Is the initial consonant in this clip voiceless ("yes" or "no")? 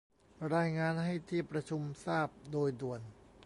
no